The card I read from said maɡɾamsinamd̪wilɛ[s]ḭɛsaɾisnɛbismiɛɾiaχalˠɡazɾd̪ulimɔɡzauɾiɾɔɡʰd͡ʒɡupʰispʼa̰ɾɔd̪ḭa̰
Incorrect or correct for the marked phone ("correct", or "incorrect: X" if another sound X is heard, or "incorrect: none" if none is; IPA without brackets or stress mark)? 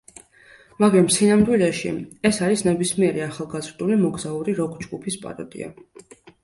incorrect: ʃ